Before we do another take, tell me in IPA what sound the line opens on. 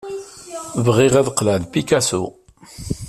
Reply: v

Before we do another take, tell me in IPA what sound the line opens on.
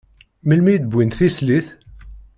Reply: m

